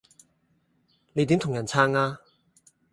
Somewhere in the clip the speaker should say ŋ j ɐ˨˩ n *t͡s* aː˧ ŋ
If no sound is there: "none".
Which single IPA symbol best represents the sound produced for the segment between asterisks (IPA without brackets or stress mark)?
t͡sʰ